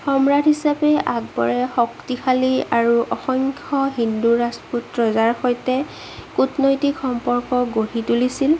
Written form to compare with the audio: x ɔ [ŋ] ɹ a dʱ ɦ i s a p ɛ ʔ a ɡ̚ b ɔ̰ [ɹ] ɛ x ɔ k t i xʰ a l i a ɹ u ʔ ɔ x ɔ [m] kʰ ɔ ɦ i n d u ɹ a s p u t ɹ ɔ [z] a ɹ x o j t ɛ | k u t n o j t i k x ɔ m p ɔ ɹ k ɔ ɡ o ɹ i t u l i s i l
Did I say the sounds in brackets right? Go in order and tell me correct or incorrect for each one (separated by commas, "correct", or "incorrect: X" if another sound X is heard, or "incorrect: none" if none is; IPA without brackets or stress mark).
incorrect: m, correct, incorrect: ŋ, correct